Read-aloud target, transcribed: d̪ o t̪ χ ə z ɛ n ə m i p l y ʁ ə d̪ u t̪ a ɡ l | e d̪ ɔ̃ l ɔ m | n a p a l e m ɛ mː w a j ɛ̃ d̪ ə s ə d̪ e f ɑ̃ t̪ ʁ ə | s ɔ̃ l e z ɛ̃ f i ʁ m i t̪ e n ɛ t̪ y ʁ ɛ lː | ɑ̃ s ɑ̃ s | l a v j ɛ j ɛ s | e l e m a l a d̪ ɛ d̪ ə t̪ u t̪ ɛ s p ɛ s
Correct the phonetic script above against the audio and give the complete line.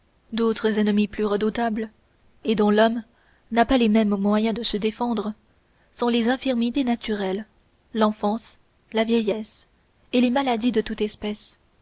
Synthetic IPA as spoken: d̪ o t̪ χ ə z ɛ n ə m i p l y ʁ ə d̪ u t̪ a b l | e d̪ ɔ̃ l ɔ m | n a p a l e m ɛ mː w a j ɛ̃ d̪ ə s ə d̪ e f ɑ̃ d̪ ʁ ə | s ɔ̃ l e z ɛ̃ f i ʁ m i t̪ e n a t̪ y ʁ ɛ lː | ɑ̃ f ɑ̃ s | l a v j ɛ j ɛ s | e l e m a l a d̪ i d̪ ə t̪ u t̪ ɛ s p ɛ s